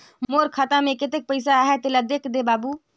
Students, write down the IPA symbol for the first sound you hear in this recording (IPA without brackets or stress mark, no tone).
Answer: m